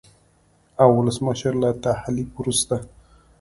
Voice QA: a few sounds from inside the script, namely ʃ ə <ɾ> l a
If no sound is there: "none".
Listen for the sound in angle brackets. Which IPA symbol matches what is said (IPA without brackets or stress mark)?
ɾ